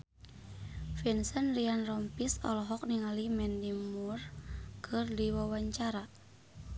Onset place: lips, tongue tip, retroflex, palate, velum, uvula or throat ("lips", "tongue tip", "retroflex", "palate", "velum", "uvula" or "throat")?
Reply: lips